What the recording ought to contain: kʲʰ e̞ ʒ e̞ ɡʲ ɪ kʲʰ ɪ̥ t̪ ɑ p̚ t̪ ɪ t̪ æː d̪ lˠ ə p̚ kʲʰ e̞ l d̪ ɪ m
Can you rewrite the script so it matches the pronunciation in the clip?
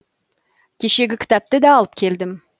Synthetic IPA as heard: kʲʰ e̞ ʃ e̞ ɡʲ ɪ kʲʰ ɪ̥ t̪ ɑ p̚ t̪ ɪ d̪ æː lˠ ə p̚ kʲʰ e̞ l d̪ ɪ m

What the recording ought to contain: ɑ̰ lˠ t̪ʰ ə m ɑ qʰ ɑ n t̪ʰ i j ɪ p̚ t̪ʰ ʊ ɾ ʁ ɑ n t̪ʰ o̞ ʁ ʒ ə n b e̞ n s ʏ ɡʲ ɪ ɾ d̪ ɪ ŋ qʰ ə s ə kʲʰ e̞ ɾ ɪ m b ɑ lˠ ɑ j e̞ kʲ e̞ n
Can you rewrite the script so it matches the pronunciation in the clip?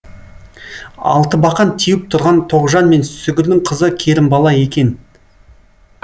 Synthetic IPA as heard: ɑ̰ lˠ t̪ ə b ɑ q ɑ n t̪ʰ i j ɪ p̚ t̪ʰ ʊ ɾ ʁ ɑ n t̪ʰ o̞ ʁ ʒ ɑ n m e̞ n s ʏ ɡʲ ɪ ɾ d̪ ɪ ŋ qʰ ə z ə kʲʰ e̞ ɾ ɪ m b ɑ lˠ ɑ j e̞ kʲ e̞ n

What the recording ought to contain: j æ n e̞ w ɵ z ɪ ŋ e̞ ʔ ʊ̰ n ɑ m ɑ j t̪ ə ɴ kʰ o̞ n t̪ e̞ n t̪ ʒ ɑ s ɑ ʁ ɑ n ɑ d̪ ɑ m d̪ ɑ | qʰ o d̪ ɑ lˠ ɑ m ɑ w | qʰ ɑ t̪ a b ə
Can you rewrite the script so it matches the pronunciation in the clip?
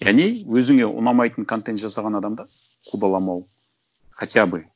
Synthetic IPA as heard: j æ n e̞ w ɵ z ɪ ŋ e̞ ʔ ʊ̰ n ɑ m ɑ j t̪ ə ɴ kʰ o̞ n t̪ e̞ n t̪ ʒ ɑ s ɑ ʁ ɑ n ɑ d̪ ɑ m d̪ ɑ | qʰ u d̪ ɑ lˠ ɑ m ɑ w | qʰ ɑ t̪ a b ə

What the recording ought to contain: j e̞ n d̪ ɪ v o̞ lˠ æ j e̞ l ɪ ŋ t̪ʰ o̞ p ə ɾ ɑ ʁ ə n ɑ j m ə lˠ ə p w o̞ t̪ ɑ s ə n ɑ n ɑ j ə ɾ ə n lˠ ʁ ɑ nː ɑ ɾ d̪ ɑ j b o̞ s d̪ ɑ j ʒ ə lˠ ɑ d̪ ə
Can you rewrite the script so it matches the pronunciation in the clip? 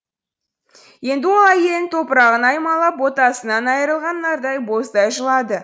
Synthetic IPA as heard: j e̞ n d̪ ɪ w o̞ lˠ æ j e̞ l ɪ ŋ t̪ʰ o̞ p ə ɾ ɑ ʁ ə n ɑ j m ɑ lˠ ɑ p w o̞ t̪ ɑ s ə n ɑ n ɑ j ə ɾ ə lˠ ʁ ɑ nː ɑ ɾ d̪ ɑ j b o̞ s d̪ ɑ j ʒ ə lˠ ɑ d̪ ə

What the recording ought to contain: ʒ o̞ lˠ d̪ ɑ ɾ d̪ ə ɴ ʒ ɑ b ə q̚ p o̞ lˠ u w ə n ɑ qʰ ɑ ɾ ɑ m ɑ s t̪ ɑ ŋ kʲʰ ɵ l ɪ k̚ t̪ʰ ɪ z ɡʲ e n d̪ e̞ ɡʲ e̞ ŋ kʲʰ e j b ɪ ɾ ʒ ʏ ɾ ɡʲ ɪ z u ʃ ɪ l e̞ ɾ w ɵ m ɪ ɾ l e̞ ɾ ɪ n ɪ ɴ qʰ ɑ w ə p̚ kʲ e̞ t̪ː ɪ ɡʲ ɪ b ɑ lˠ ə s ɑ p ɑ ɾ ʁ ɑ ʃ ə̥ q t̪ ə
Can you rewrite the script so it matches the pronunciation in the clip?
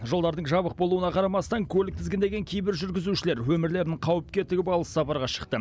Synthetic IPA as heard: ʒ o̞ lˠ d̪ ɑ ɾ d̪ ə ɴ ʒ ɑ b ə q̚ b o̞ lˠ u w ə n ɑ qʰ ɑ ɾ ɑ m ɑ s t̪ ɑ ŋ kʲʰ ɵ l ɪ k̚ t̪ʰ ɪ z ɡʲ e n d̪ e̞ ɡʲ e̞ ŋ kʲʰ e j b ɪ ɾ ʒ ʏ ɾ ɡʲ ɪ z u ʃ ɪ l e̞ ɾ w ɵ m ɪ ɾ l e̞ ɾ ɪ n ɪ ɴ qʰ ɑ w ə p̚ kʲ e̞ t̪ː ɪ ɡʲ ɪ b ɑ lˠ ə s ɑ p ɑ ɾ ʁ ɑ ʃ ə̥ q t̪ ə

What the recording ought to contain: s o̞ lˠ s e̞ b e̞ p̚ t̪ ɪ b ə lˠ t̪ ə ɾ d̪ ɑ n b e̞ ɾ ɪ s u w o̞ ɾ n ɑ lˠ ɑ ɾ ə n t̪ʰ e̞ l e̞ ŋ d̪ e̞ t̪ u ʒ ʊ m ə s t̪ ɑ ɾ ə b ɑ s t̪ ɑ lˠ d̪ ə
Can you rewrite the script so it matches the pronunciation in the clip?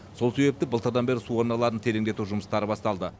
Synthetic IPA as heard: s o̞ lˠ s e̞ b e̞ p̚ t̪ ɪ b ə lˠ t̪ ə ɾ d̪ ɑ n b e̞ ɾ ɪ s u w o̞ ɾ n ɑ lˠ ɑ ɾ ə n t̪ʰ e̞ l e̞ ŋ d̪ e̞ t̪ u ʒ ʊ m ə s t̪ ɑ ɾ ə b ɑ s t̪ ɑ lˠ d̪ ə

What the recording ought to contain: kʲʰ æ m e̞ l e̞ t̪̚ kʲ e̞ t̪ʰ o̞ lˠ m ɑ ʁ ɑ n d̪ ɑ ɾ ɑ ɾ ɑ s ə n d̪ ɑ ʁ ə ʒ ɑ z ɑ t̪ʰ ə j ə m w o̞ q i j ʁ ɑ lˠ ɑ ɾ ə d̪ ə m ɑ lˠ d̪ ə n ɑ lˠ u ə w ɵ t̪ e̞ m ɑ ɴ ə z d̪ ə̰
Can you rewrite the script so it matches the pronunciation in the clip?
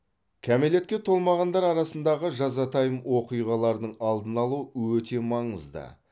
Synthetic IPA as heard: kʲʰ æ m e̞ l e̞ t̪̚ kʲ e̞ t̪ʰ o̞ lˠ m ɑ ʁ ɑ n d̪ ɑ ɾ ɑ ɾ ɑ s ə n d̪ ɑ ʁ ə ʒ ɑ z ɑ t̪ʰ ɑ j ə m w o̞ q i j ʁ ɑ lˠ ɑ ɾ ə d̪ ə ɴ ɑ lˠ d̪ ə n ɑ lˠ u ə w ɵ t̪ e̞ m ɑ ɴ ə z d̪ ə̰

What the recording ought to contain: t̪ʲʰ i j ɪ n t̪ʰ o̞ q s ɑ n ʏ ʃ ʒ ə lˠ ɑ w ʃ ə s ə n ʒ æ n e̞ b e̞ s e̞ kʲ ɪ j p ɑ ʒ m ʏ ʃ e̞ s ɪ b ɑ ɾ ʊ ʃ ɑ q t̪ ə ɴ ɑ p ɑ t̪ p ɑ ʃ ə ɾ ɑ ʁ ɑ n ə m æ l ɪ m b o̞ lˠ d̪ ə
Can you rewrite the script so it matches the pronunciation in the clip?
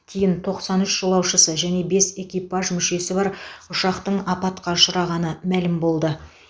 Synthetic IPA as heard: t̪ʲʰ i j ɪ n t̪ʰ o̞ q s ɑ n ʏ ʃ ʒ ə lˠ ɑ w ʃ ə s ə ʒ æ n e̞ b e̞ s e̞ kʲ i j p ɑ ʒ m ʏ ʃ e̞ s ɪ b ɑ ɾ ʊ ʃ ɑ q t̪ ə ɴ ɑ p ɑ t̪ q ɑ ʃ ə ɾ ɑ ʁ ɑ n ə m æ l ɪ m b o̞ lˠ d̪ ə

